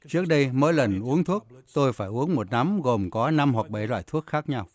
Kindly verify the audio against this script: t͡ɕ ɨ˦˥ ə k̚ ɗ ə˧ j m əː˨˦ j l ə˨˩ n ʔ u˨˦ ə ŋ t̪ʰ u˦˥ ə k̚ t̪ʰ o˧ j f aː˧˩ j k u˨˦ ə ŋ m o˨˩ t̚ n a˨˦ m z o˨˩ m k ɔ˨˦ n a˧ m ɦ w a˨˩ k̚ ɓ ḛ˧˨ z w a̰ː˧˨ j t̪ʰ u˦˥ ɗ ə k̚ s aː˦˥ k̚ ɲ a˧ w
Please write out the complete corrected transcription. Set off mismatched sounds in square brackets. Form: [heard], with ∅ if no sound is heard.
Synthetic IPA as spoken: t͡ɕ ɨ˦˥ ə k̚ ɗ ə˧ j m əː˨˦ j l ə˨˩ n ʔ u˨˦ ə ŋ t̪ʰ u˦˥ ə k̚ [t̪] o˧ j f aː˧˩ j [ʔ] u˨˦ ə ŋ m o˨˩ t̚ n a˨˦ m [ɣ] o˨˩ m k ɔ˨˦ n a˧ m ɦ w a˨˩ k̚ ɓ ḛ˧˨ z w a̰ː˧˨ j t̪ʰ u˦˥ [∅] ə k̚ [x] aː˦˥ k̚ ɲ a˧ w